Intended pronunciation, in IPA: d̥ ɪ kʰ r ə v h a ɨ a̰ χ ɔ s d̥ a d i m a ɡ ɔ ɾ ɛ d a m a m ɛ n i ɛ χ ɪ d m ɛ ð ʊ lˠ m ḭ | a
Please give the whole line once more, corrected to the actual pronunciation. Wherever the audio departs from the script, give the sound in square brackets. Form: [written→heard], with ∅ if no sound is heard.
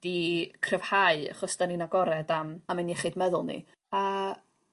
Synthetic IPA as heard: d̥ [ɪ→i] kʰ r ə v h a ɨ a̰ χ ɔ s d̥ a [d→n] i [m→n] a ɡ ɔ ɾ ɛ d a m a m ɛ n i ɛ χ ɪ d m ɛ ð ʊ lˠ [m→n] ḭ | a